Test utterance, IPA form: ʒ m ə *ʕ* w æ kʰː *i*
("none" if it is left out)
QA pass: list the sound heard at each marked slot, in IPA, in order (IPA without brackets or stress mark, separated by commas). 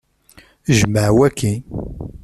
ʕ, i